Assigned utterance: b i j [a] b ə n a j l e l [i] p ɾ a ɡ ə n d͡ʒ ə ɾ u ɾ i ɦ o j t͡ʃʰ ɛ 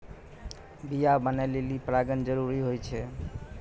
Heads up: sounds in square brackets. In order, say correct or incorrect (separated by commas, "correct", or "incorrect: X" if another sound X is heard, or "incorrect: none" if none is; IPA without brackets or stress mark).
correct, correct